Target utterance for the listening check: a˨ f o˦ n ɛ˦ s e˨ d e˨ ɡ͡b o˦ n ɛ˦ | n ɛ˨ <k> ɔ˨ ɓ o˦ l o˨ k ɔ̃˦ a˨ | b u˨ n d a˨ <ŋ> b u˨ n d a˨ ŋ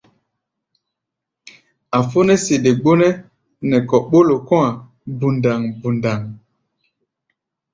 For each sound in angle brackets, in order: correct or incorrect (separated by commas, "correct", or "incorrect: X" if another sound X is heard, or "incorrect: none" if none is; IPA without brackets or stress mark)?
correct, correct